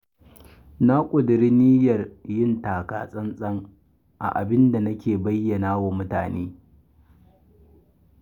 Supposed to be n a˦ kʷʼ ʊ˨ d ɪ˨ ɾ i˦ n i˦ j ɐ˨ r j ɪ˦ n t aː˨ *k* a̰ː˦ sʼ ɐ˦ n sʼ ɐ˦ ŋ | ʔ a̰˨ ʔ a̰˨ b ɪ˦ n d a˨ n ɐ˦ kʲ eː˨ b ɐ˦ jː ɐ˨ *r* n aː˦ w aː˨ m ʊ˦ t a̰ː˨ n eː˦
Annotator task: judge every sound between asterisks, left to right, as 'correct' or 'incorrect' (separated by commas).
correct, incorrect